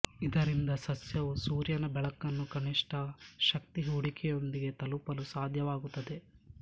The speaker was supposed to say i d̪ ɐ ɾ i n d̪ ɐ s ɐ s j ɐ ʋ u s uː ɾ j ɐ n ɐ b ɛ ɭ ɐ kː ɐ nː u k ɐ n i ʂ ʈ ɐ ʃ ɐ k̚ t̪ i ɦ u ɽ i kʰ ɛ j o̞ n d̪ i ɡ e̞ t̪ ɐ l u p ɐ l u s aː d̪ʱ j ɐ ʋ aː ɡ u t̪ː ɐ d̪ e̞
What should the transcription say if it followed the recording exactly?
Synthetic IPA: i d̪ ɐ ɾ i n d̪ ɐ s ɐ s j ɐ ʋ u s uː ɾ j ɐ n ɐ b ɛ ɭ ɐ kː ɐ nː u k ɐ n i ʂ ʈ ɐ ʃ ɐ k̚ t̪ i ɦ u ɽ i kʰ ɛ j o̞ n d̪ i ɡ e̞ t̪ ɐ l u p ɐ l u s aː d̪ʱ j ɐ ʋ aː ɡ u t̪ː ɐ d̪ e̞

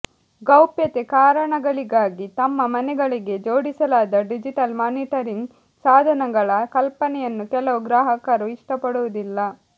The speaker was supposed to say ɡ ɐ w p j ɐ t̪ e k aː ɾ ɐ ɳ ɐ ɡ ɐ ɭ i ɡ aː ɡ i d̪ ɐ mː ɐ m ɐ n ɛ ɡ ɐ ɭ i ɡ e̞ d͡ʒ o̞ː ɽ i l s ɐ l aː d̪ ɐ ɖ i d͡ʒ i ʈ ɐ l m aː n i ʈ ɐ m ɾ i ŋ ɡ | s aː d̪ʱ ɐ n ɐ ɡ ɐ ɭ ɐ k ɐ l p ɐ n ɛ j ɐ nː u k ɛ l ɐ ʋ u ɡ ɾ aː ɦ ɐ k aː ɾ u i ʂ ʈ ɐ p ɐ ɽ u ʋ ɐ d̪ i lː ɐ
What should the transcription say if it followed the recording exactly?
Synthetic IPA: ɡ ɐ w p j ɐ t̪ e k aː ɾ ɐ ɳ ɐ ɡ ɐ ɭ i ɡ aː ɡ i t̪ ɐ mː ɐ m ɐ n ɛ ɡ ɐ ɭ i ɡ e̞ d͡ʒ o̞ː ɽ i s ɐ l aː d̪ ɐ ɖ i d͡ʒ i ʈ ɐ l m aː n i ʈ ɐ ɾ i ŋ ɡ | s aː d̪ʱ ɐ n ɐ ɡ ɐ ɭ ɐ k ɐ l p ɐ n ɛ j ɐ nː u k ɛ l ɐ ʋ u ɡ ɾ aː ɦ ɐ k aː ɾ u i ʂ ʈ ɐ p ɐ ɽ u ʋ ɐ d̪ i lː ɐ

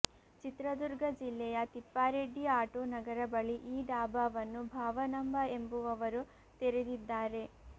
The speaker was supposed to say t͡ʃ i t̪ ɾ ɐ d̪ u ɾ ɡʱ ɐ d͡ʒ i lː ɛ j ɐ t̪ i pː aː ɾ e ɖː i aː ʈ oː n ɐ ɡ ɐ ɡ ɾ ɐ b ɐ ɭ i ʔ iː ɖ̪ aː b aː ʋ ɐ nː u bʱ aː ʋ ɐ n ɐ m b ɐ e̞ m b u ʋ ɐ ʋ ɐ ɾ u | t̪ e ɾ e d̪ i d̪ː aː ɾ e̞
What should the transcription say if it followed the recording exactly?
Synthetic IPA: t͡ʃ i t̪ ɾ ɐ d̪ u ɾ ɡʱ ɐ d͡ʒ i lː ɛ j ɐ t̪ i pː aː ɾ e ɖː i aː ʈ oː n ɐ ɡ ɐ ɾ ɐ b ɐ ɭ i ʔ iː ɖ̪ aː b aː ʋ ɐ nː u bʱ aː ʋ ɐ n ɐ m b ɐ e̞ m b u ʋ ɐ ʋ ɐ ɾ u | t̪ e ɾ e d̪ i d̪ː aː ɾ e̞

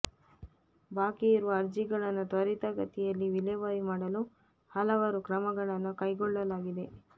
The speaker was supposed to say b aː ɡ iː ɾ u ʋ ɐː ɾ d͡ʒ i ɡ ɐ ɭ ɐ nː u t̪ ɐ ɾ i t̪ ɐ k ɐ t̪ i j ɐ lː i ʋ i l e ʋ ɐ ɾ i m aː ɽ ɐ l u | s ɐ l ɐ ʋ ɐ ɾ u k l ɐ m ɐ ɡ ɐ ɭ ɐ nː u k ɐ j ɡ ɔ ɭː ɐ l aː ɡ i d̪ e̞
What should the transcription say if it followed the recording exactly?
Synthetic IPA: b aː k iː ɾ u ʋ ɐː ɾ d͡ʒ i ɡ ɐ ɭ ɐ nː u t̪ ɐ ɾ i t̪ ɐ ɡ ɐ t̪ i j ɐ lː i ʋ i l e ʋ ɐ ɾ i m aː ɽ ɐ l u | h ɐ l ɐ ʋ ɐ ɾ u k ɾ ɐ m ɐ ɡ ɐ ɭ ɐ nː u k ɐ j ɡ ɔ ɭː ɐ l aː ɡ i d̪ e̞

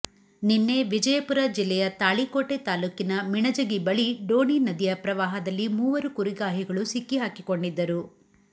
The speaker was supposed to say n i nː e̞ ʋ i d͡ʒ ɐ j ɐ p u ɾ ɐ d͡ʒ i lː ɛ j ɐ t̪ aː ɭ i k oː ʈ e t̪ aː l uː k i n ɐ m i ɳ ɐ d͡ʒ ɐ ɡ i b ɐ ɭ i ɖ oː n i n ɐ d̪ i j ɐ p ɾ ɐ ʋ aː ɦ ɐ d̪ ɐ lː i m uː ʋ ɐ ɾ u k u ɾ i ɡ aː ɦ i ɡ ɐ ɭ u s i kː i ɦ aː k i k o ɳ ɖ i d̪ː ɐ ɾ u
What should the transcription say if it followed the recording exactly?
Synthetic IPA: n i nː e̞ ʋ i d͡ʒ ɐ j ɐ p u ɾ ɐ d͡ʒ i lː ɛ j ɐ t̪ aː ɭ i k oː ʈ e t̪ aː l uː k i n ɐ m i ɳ ɐ d͡ʒ ɐ ɡ i b ɐ ɭ i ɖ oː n i n ɐ d̪ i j ɐ p ɾ ɐ ʋ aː ɦ ɐ d̪ ɐ lː i m uː ʋ ɐ ɾ u k u ɾ i ɡ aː ɦ i ɡ ɐ ɭ u s i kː i ɦ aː k i k o ɳ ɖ i d̪ː ɐ ɾ u

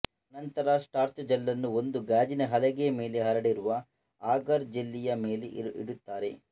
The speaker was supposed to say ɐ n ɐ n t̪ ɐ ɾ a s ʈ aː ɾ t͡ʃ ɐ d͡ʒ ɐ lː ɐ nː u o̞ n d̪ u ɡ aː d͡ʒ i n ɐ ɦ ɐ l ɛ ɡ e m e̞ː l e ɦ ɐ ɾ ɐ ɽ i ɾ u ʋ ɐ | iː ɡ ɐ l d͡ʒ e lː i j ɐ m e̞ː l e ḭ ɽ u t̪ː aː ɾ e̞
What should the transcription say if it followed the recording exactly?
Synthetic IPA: ɐ n ɐ n t̪ ɐ ɾ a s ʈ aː ɾ t͡ʃ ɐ d͡ʒ ɐ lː ɐ nː u o̞ n d̪ u ɡ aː d͡ʒ i n ɐ ɦ ɐ l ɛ ɡ e m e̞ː l e ɦ ɐ ɾ ɐ ɽ i ɾ u ʋ ɐ | aː ɡ ɐ ɾ d͡ʒ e lː i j ɐ m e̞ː l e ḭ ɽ u t̪ː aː ɾ e̞

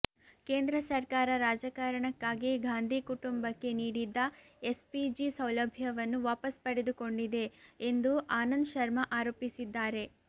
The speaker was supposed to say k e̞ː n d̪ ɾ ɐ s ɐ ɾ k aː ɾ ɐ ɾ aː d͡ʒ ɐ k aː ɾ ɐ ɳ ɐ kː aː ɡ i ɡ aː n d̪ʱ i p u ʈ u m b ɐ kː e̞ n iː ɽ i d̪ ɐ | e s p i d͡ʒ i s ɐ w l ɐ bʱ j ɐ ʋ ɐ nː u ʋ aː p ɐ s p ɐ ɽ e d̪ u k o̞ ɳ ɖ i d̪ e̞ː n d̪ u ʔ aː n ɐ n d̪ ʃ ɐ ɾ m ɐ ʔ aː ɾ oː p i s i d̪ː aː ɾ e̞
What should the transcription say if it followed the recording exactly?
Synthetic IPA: k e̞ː n d̪ ɾ ɐ s ɐ ɾ k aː ɾ ɐ ɾ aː d͡ʒ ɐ k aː ɾ ɐ ɳ ɐ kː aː ɡ i ɡ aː n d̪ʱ i k u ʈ u m b ɐ kː e̞ n iː ɽ i d̪ː ɐ | e s p i d͡ʒ i s ɐ w l ɐ bʱ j ɐ ʋ ɐ nː u ʋ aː p ɐ s p ɐ ɽ e d̪ u k o̞ ɳ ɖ i d̪ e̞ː n d̪ u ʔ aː n ɐ n d̪ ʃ ɐ ɾ m ɐ ʔ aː ɾ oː p i s i d̪ː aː ɾ e̞

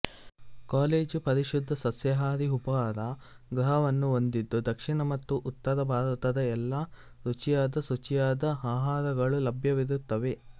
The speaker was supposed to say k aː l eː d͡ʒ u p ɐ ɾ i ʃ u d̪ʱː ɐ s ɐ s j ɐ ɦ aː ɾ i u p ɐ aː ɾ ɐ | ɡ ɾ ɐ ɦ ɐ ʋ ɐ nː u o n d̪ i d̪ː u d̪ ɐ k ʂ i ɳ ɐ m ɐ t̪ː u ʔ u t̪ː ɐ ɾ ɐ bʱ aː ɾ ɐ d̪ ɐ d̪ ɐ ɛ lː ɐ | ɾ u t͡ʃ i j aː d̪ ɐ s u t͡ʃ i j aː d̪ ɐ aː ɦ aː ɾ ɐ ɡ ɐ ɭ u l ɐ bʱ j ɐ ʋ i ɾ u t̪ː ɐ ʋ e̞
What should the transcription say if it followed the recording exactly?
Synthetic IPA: k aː l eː d͡ʒ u p ɐ ɾ i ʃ u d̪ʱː ɐ s ɐ s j ɐ ɦ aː ɾ i u p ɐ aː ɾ ɐ | ɡ ɾ ɐ ɦ ɐ ʋ ɐ nː u o n d̪ i d̪ː u d̪ ɐ k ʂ i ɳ ɐ m ɐ t̪ː u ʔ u t̪ː ɐ ɾ ɐ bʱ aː ɾ ɐ t̪ ɐ d̪ ɐ ɛ lː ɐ | ɾ u t͡ʃ i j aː d̪ ɐ s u t͡ʃ i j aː d̪ ɐ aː ɦ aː ɾ ɐ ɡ ɐ ɭ u l ɐ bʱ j ɐ ʋ i ɾ u t̪ː ɐ ʋ e̞

